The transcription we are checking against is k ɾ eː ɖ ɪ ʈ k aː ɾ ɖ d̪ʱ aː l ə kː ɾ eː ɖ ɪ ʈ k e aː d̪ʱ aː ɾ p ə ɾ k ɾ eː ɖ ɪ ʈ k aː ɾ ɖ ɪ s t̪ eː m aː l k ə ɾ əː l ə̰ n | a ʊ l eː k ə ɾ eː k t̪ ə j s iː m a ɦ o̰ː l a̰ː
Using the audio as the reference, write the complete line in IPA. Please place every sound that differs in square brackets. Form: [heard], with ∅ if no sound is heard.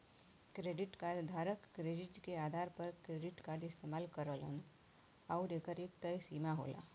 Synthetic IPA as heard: k ɾ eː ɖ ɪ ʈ k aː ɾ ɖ d̪ʱ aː [ɾ] ə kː ɾ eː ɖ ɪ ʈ k e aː d̪ʱ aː ɾ p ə ɾ k ɾ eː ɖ ɪ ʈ k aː ɾ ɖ ɪ s t̪ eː m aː l k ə ɾ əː l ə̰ n | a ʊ [ɾ] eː k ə ɾ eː k t̪ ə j s iː m a ɦ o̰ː l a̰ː